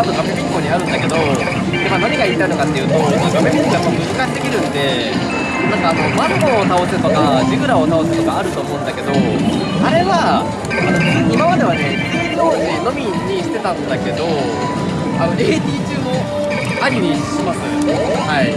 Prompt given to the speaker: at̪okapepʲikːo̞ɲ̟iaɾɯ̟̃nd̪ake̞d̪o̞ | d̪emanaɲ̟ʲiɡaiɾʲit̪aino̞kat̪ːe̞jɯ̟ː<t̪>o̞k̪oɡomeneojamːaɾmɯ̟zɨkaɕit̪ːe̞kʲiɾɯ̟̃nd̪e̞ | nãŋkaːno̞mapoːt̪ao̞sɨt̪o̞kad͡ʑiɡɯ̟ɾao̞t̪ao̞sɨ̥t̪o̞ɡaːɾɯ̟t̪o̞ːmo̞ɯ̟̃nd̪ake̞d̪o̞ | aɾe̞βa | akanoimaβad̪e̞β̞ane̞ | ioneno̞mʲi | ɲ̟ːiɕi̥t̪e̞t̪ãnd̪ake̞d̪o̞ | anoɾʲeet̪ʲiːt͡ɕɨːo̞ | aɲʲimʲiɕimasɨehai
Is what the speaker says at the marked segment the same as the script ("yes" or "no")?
yes